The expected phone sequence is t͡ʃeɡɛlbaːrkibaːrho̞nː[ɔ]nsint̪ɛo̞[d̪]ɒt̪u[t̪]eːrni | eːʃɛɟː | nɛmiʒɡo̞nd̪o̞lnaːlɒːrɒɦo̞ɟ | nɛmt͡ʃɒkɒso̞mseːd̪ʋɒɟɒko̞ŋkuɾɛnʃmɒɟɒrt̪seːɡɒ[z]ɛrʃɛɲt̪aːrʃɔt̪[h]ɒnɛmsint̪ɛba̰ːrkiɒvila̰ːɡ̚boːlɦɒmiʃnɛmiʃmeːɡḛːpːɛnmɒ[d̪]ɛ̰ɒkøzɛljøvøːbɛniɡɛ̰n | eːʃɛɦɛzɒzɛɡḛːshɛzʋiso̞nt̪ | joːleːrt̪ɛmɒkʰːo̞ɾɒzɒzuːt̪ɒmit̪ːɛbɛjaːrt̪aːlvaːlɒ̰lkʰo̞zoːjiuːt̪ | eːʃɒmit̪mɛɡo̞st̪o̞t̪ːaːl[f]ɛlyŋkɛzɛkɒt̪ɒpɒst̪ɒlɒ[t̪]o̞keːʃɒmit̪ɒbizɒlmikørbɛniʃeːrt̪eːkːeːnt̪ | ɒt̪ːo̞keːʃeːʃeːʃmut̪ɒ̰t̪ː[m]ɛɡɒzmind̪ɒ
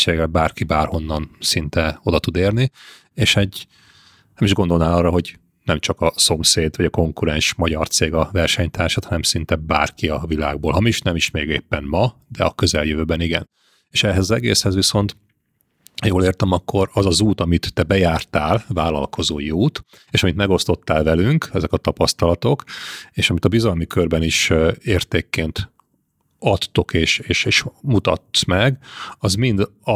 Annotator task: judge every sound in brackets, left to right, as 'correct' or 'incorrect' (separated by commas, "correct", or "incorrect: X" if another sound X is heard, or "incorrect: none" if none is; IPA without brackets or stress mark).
incorrect: ɒ, correct, incorrect: d̪, incorrect: v, correct, correct, incorrect: v, correct, correct